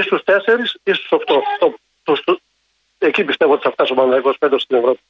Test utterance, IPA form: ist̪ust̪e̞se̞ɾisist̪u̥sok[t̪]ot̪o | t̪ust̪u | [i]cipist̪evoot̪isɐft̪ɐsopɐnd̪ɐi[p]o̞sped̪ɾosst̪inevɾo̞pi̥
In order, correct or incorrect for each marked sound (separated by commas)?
correct, incorrect, incorrect